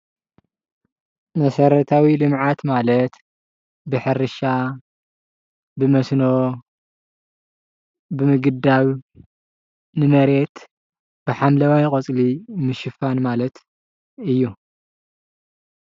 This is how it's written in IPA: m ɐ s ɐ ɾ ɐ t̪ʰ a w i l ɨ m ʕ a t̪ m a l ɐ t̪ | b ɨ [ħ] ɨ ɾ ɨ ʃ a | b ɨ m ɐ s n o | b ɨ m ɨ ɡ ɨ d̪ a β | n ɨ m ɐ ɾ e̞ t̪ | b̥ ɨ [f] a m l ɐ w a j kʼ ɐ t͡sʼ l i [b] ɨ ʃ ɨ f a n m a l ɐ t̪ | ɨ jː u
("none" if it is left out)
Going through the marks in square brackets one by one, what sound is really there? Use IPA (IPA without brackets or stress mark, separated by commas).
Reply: ħ, ħ, m